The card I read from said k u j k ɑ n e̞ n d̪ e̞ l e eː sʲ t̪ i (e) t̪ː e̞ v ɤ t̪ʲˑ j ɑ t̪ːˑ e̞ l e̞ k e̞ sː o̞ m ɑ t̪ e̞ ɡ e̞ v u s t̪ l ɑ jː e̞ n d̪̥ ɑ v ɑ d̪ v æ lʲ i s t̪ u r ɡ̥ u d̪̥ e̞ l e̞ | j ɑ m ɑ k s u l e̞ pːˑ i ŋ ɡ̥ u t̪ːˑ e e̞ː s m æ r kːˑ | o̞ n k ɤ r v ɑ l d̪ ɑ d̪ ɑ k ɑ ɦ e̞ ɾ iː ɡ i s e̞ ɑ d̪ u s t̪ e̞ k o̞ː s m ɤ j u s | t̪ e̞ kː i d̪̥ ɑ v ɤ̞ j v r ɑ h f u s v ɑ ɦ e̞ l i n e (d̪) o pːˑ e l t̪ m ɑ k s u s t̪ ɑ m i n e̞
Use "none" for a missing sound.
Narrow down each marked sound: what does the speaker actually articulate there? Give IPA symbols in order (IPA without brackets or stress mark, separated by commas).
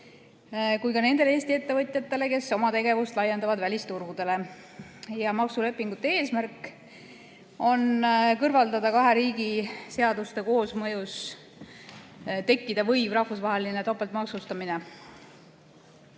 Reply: e, t̪